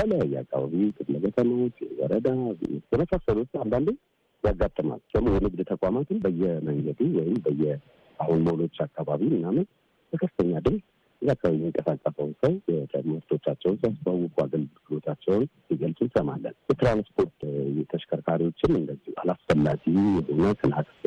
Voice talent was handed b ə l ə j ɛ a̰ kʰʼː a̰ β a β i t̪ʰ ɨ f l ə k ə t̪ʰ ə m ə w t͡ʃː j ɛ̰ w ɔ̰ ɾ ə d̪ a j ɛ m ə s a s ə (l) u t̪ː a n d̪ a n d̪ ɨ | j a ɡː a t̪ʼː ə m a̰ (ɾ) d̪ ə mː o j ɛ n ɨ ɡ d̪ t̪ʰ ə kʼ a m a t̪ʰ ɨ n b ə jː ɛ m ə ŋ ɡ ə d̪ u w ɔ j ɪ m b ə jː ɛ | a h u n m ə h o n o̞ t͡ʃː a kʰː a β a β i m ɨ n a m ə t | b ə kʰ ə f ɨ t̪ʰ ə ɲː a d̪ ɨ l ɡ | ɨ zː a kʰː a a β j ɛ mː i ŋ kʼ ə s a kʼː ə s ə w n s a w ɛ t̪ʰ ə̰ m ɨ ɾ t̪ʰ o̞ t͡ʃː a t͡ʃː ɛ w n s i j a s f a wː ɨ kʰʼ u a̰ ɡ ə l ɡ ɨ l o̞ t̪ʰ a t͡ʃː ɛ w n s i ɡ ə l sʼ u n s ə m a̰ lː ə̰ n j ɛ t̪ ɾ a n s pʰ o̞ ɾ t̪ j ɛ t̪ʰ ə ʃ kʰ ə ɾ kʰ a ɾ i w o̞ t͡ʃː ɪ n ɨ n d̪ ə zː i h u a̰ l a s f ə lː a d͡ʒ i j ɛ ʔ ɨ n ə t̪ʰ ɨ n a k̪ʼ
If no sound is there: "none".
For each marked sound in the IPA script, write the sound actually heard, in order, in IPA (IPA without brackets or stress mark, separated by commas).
l, l